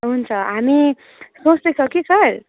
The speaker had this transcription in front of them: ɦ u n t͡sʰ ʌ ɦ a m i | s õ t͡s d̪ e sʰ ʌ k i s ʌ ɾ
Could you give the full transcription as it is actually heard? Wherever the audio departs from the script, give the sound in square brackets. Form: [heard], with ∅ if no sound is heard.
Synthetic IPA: ɦ u n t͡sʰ ʌ ɦ a m i | s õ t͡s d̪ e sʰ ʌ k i s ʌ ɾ